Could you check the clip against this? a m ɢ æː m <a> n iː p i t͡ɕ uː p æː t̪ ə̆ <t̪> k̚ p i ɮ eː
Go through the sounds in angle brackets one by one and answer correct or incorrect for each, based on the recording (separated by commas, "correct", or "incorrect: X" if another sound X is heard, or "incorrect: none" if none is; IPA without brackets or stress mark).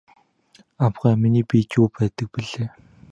incorrect: i, incorrect: none